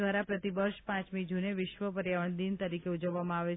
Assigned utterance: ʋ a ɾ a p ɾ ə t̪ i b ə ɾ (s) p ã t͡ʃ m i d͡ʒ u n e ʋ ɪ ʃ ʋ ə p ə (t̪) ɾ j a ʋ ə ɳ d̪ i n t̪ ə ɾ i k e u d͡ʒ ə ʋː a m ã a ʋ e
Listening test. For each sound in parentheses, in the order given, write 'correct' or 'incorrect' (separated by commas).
incorrect, incorrect